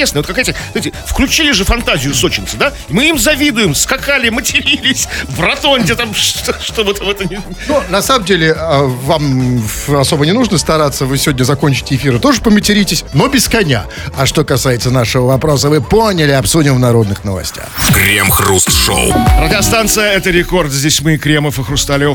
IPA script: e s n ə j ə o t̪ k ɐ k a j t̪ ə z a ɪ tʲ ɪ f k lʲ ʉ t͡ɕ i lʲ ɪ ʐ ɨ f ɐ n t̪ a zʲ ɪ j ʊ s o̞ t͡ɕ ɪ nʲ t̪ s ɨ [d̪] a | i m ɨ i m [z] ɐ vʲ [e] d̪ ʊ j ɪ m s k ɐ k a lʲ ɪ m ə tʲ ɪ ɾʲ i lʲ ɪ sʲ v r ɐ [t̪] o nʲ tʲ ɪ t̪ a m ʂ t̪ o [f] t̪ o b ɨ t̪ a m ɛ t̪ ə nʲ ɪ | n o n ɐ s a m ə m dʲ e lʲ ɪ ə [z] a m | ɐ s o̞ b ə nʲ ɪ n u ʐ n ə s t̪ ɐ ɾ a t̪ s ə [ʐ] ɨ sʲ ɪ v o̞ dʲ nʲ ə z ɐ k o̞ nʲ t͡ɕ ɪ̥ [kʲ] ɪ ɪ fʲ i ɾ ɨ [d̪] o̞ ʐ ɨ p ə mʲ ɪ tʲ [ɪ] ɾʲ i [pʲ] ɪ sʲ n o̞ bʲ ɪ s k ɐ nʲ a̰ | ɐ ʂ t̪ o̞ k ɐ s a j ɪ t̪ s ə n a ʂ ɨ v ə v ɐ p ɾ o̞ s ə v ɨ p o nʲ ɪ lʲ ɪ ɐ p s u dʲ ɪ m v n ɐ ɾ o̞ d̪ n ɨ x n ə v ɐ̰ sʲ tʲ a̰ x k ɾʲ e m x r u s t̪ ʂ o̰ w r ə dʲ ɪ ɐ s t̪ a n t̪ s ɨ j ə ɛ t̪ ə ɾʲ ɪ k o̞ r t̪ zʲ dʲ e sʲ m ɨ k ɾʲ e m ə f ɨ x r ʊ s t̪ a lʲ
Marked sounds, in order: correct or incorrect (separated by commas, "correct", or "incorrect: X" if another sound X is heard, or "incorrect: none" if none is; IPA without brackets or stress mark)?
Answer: correct, correct, incorrect: i, correct, incorrect: ʂ, incorrect: v, incorrect: v, incorrect: tʲ, incorrect: t̪, correct, incorrect: tʲ